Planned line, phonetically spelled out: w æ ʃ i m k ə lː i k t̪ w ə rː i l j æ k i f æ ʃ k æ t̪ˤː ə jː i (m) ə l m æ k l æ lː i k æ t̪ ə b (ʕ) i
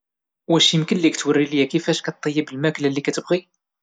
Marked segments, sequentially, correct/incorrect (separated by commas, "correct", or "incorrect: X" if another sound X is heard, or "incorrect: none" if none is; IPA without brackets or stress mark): incorrect: b, incorrect: ʁ